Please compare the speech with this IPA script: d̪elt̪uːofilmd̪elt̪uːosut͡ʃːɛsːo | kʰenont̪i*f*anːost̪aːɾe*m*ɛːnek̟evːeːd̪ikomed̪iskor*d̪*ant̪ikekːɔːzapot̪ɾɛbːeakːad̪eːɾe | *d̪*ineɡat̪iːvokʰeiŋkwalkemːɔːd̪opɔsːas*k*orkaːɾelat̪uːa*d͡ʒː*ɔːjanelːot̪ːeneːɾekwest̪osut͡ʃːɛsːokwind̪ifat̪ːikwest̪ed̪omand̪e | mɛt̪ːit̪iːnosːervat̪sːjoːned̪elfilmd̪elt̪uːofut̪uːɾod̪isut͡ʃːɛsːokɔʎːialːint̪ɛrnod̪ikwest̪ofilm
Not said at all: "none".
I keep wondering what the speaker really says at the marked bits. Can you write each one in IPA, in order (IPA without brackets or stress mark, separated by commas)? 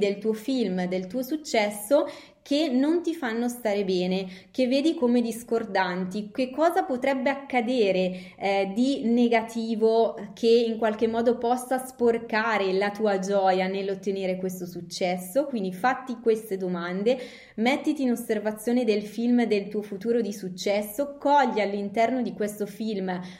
f, b, d̪, d̪, p, d͡ʒ